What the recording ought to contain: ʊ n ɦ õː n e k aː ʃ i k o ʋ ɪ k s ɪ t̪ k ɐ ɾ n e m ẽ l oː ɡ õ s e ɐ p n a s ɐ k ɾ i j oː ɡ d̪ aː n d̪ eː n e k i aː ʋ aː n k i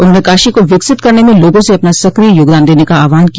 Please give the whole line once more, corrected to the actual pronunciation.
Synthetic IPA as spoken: ʊ n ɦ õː n e k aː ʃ i k o ʋ ɪ k s ɪ t̪ k ɐ ɾ n e m ẽ l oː ɡ õ s e ɐ p n a s ɐ k ɾ i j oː ɡ d̪ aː n d̪ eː n e k a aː ʋ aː n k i